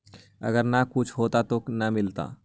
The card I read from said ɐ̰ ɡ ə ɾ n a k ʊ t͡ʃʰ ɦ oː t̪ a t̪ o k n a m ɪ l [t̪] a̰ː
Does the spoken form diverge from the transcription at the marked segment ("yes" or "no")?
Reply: no